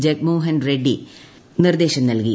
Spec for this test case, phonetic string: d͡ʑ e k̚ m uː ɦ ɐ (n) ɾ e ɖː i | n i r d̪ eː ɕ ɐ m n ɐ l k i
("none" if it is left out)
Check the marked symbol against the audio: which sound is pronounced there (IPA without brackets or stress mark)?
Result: n